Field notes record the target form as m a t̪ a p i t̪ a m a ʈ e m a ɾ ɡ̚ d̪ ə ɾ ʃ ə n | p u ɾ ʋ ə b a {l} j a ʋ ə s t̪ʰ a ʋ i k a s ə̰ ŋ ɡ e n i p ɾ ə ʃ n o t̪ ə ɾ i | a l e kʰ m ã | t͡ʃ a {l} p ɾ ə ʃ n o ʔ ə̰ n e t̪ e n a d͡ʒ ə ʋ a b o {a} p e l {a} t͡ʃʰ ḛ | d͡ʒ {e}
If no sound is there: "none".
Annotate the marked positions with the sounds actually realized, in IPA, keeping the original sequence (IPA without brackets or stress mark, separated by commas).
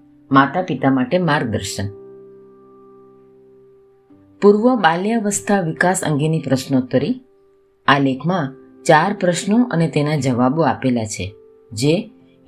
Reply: l, ɾ, a, a, e